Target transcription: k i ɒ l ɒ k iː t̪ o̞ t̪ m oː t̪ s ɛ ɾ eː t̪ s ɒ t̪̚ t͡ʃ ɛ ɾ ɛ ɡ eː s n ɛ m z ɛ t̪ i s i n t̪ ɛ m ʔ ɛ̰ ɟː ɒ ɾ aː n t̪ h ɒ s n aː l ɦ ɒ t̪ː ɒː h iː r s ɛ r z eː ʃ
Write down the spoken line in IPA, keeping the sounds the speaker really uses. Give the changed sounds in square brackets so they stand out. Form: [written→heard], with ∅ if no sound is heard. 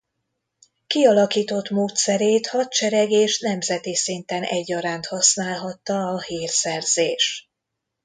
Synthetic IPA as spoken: k i ɒ l ɒ k iː t̪ o̞ t̪ m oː t̪ s ɛ ɾ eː t̪ [s→h] ɒ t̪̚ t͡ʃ ɛ ɾ ɛ ɡ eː [s→ʃ] n ɛ m z ɛ t̪ i s i n t̪ ɛ [m→n] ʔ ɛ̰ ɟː ɒ ɾ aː n t̪ h ɒ s n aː l ɦ ɒ t̪ː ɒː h iː r s ɛ r z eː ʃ